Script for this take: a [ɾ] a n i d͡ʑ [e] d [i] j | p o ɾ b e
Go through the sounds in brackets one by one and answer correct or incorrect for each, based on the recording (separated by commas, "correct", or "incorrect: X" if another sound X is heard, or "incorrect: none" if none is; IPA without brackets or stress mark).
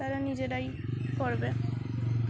correct, correct, incorrect: a